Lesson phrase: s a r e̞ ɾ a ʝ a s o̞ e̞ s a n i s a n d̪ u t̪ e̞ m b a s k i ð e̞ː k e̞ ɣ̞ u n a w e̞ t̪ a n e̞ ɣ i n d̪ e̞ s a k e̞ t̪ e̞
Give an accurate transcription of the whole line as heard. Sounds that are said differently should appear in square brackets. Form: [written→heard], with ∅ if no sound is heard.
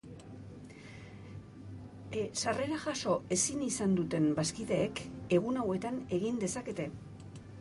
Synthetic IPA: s a r e̞ ɾ a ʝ a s o̞ e̞ s [a→i] n i s a n d̪ u t̪ e̞ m b a s k i ð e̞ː k e̞ ɣ̞ u n a w e̞ t̪ a n e̞ ɣ i n d̪ e̞ s a k e̞ t̪ e̞